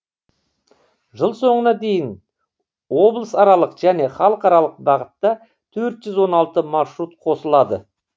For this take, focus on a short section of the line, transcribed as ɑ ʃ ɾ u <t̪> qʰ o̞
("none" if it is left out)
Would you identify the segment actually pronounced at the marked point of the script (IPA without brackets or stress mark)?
t̪